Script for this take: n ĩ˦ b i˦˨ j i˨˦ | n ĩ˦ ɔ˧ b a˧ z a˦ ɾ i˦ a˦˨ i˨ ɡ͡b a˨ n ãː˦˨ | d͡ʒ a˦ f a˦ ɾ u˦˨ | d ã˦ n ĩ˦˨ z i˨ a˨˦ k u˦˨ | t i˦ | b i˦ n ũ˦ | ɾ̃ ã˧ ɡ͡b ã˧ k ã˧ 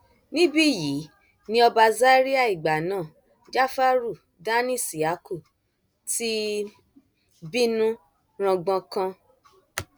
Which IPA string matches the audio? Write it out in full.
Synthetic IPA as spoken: n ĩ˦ b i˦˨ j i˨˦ | n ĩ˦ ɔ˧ b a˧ z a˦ ɾ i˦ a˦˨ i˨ ɡ͡b a˨ n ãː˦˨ | d͡ʒ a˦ f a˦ ɾ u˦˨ | d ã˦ n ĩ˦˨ s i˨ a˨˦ k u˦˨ | t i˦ | b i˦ n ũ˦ | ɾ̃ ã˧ ɡ͡b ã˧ k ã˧

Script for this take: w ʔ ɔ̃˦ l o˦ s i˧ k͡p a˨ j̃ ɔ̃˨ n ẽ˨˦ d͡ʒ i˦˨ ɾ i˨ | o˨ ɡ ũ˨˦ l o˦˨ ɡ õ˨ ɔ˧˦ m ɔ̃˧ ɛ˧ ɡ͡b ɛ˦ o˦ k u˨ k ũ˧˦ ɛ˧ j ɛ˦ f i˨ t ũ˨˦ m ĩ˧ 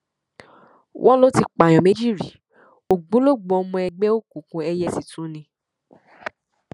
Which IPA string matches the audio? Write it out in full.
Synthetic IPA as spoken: w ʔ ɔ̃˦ l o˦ t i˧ k͡p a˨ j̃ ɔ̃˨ m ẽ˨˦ d͡ʒ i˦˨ ɾ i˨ | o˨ ɡ͡b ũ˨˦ l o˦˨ ɡ͡b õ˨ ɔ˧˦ m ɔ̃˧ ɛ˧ ɡ͡b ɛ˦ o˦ k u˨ k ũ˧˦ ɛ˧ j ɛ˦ s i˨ t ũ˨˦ n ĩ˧

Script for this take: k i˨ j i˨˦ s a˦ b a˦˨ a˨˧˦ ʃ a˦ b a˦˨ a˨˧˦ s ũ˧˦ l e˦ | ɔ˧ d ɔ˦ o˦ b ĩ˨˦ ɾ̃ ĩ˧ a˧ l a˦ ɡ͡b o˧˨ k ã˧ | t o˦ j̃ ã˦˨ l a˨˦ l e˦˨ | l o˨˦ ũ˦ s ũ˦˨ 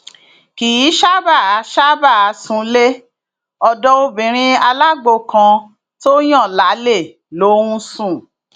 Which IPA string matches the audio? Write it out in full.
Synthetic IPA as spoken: k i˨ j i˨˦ ʃ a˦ b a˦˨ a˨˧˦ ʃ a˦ b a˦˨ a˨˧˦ s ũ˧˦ l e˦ | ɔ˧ d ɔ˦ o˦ b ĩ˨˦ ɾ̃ ĩ˧ a˧ l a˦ ɡ͡b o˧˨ k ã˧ | t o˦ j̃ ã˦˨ l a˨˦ l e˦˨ | l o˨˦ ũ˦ s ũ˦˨

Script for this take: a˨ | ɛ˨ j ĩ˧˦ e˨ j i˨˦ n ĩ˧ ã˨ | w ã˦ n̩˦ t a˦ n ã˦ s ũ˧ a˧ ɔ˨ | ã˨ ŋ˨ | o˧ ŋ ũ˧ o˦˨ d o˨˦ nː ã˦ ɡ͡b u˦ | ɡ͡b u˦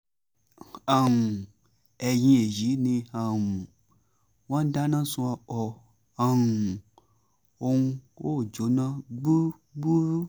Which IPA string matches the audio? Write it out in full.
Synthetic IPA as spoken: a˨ | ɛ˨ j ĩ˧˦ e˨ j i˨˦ n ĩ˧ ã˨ | w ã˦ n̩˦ d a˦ n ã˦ s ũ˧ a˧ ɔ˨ | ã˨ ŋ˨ | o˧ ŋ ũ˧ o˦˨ d͡ʒ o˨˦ n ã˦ ɡ͡b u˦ | ɡ͡b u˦

